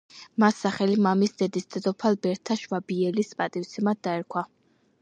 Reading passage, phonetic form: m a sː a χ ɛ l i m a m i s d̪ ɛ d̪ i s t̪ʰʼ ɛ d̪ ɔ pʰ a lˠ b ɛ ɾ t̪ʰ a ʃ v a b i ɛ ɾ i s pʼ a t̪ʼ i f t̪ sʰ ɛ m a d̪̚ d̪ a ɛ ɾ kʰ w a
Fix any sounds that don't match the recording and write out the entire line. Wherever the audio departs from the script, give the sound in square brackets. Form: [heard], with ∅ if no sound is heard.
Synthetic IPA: m a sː a χ ɛ l i m a m i s d̪ ɛ d̪ i s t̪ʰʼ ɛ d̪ ɔ pʰ a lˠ b ɛ ɾ t̪ʰ a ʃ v a b i ɛ [l] i s pʼ a t̪ʼ i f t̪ sʰ ɛ m a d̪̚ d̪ a ɛ ɾ kʰ w a

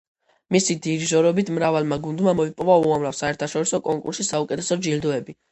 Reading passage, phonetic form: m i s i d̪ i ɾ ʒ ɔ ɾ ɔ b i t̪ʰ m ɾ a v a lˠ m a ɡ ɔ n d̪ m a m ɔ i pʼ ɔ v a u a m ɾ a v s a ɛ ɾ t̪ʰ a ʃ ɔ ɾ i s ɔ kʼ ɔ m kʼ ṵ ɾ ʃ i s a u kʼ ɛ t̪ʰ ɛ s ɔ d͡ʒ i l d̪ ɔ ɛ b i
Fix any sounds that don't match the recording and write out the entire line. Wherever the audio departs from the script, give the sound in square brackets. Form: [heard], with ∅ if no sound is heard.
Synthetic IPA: m i s i d̪ i ɾ ʒ ɔ ɾ ɔ b i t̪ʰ m ɾ a v a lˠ m a ɡ [u] n d̪ m a m ɔ i pʼ ɔ v a u a m ɾ a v s a ɛ ɾ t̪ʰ a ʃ ɔ ɾ i s ɔ kʼ ɔ [ŋ] kʼ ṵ ɾ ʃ i s a u kʼ ɛ t̪ʰ ɛ s ɔ d͡ʒ i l d̪ ɔ ɛ b i

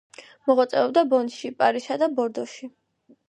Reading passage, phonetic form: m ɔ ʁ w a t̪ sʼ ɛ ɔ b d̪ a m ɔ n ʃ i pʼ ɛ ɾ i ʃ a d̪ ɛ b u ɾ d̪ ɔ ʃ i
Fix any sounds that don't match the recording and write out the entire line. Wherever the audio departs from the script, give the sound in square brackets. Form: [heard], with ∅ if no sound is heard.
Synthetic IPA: m ɔ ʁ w a t̪ sʼ ɛ ɔ b d̪ a [b] ɔ n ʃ i pʼ [a] ɾ i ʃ a d̪ [a] b [ɔ] ɾ d̪ ɔ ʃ i

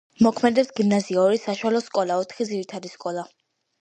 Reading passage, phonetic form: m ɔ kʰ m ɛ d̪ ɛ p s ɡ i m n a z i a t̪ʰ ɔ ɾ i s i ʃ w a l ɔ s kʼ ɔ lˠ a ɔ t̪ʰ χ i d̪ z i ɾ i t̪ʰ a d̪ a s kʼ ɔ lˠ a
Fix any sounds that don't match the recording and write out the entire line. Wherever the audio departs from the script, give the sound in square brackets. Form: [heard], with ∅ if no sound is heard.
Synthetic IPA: m ɔ kʰ m ɛ d̪ ɛ p s ɡ i m n a z i a [∅] ɔ ɾ i s [a] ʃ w a l ɔ s kʼ ɔ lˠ a ɔ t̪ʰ χ i d̪ z i ɾ i t̪ʰ a d̪ [i] s kʼ ɔ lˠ a

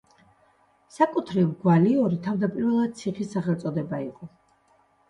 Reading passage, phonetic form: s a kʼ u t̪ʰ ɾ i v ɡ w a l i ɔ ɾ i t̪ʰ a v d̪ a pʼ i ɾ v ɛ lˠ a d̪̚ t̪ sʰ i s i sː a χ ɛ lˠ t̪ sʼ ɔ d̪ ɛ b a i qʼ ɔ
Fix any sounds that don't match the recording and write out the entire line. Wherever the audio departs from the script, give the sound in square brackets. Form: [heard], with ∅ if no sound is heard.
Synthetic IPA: s a kʼ u t̪ʰ ɾ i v ɡ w a l i ɔ ɾ i t̪ʰ a v d̪ a pʼ i ɾ v ɛ lˠ a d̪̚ t̪ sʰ i [χ] i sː a χ ɛ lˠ t̪ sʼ ɔ d̪ ɛ b a i qʼ ɔ

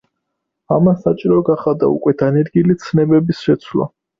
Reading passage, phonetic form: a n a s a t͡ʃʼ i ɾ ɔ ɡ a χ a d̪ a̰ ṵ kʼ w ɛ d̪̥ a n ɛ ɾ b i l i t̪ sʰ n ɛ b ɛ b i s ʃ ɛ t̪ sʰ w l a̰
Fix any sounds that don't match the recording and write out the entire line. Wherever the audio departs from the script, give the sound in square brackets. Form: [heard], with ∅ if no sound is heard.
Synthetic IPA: a [m] a s a t͡ʃʼ i ɾ ɔ ɡ a χ a d̪ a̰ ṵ kʼ w ɛ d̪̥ a n ɛ ɾ [ɡ] i l i t̪ sʰ n ɛ b ɛ b i s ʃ ɛ t̪ sʰ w l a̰

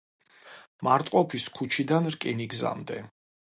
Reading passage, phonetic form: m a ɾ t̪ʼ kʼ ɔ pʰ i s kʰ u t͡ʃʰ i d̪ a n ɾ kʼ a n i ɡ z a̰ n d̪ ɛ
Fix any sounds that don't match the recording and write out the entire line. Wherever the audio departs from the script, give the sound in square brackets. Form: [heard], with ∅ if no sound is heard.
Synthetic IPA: m a ɾ t̪ʼ [qʼ] ɔ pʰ i s kʰ u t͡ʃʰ i d̪ a n ɾ kʼ [i] n i ɡ z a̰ [m] d̪ ɛ

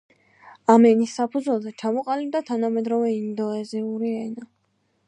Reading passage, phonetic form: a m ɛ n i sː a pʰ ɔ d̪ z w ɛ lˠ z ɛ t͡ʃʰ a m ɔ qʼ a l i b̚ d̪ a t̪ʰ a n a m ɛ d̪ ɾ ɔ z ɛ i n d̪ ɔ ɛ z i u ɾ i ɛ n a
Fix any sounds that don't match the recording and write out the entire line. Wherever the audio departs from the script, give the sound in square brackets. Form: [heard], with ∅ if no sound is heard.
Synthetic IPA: a m ɛ n i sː a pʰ [u] d̪ z w ɛ lˠ z ɛ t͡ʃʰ a m ɔ qʼ a l i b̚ d̪ a t̪ʰ a n a m ɛ d̪ ɾ ɔ [v] ɛ i n d̪ ɔ ɛ z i u ɾ i ɛ n a

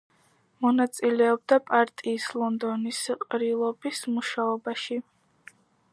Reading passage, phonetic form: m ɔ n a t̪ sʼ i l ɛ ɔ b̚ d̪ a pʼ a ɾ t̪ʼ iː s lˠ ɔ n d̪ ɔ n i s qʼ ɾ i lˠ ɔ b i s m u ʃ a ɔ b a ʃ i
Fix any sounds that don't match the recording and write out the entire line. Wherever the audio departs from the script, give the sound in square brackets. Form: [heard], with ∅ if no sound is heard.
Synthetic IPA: m ɔ n a t̪ sʼ i l ɛ ɔ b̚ d̪ a pʼ a ɾ t̪ʼ iː s lˠ ɔ n d̪ ɔ n i s qʼ ɾ i lˠ ɔ b i s m u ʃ a ɔ b a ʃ i

